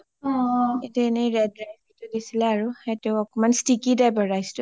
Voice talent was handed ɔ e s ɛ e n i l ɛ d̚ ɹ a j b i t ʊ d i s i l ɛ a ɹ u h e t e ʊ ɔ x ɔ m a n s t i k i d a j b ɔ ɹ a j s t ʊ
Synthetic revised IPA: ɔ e t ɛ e n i ɹ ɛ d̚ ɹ a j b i t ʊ d i s i l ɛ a ɹ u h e t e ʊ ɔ k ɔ m a n s t i k i d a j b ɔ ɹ a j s t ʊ